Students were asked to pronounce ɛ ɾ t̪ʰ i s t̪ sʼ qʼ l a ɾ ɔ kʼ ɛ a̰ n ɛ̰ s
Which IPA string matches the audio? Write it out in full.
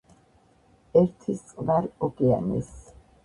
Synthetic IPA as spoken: ɛ ɾ t̪ʰ i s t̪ sʼ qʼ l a ɾ ɔ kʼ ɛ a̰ n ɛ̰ s